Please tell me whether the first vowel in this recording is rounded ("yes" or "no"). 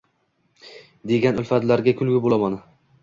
no